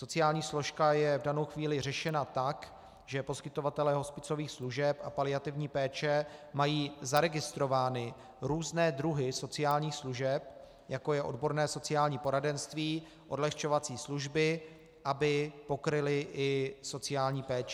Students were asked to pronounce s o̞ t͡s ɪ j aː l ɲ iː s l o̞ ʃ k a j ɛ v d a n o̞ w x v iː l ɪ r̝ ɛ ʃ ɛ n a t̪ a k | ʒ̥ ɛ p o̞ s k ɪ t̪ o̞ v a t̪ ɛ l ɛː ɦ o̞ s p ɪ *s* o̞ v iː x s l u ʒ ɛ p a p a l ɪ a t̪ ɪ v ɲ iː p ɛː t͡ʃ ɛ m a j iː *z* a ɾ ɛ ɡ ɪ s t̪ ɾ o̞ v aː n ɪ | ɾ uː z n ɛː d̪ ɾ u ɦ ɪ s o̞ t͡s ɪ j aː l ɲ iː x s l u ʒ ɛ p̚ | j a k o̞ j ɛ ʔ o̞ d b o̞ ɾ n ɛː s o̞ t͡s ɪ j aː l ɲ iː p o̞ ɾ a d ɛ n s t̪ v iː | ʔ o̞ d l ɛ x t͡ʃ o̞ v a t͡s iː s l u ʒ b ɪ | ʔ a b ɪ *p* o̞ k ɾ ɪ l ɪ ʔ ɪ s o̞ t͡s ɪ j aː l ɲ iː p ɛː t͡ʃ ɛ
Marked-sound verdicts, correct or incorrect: incorrect: t͡s, correct, correct

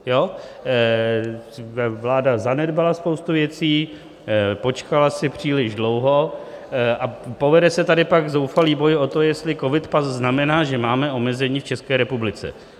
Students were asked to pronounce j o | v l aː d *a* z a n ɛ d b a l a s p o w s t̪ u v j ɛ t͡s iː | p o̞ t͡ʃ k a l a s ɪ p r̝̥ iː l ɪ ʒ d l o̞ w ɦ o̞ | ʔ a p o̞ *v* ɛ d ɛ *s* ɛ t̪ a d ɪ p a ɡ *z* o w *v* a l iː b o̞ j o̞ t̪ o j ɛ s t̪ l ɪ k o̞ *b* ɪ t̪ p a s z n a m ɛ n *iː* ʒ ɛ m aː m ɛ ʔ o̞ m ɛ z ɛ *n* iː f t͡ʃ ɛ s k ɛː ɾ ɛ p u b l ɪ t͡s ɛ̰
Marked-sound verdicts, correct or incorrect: correct, correct, correct, correct, incorrect: f, incorrect: v, incorrect: aː, incorrect: ɲ

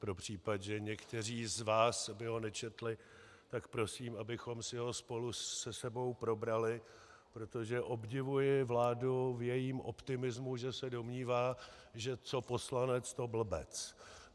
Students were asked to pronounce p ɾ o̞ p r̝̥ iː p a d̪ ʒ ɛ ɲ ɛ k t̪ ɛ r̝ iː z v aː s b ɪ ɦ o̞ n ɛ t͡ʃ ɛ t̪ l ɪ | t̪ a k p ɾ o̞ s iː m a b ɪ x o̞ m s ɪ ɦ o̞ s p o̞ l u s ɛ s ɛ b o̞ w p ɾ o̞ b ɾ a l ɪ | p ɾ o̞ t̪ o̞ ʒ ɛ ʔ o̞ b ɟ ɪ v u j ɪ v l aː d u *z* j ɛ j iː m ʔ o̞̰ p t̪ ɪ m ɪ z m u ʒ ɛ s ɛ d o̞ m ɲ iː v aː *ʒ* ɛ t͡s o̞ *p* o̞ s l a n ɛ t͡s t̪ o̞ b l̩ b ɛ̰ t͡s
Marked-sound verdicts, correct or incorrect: incorrect: v, correct, correct

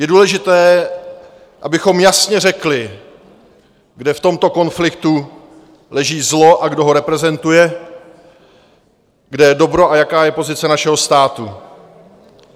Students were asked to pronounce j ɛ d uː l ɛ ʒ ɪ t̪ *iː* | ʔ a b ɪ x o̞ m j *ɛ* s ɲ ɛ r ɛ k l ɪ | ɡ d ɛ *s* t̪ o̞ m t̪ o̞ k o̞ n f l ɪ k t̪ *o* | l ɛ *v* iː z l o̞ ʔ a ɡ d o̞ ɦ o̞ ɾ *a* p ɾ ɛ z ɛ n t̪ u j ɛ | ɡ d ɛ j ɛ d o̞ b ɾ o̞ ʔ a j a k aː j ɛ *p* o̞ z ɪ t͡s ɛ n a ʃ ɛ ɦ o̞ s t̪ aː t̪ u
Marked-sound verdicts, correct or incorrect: incorrect: ɛː, incorrect: a, incorrect: f, incorrect: u, incorrect: ʒ, incorrect: ɛ, correct

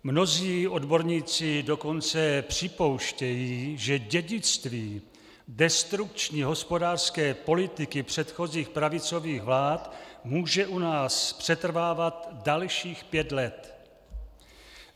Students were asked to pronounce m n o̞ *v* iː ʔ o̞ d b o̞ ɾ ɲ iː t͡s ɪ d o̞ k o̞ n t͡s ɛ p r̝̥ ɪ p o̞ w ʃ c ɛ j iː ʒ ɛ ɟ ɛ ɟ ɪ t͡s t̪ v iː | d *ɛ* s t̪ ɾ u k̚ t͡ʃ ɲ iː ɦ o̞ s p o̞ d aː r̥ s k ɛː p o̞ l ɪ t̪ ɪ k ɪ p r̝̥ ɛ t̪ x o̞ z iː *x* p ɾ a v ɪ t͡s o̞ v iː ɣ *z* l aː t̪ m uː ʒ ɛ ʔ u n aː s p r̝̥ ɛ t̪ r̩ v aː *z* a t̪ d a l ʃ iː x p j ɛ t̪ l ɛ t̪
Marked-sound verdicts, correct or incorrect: incorrect: z, correct, correct, incorrect: v, incorrect: v

